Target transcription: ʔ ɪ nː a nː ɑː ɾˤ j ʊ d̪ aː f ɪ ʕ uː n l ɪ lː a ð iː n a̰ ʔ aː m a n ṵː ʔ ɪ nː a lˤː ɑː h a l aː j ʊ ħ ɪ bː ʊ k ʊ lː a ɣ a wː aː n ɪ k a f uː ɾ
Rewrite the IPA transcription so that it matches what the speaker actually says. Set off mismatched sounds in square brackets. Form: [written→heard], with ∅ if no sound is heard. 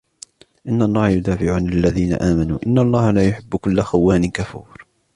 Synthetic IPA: ʔ ɪ nː a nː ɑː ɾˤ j ʊ d̪ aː f ɪ ʕ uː n l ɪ lː a ð iː n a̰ ʔ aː m a n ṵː ʔ ɪ nː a lˤː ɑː h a l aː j ʊ ħ ɪ bː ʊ k ʊ lː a [ɣ→x] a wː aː n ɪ k a f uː ɾ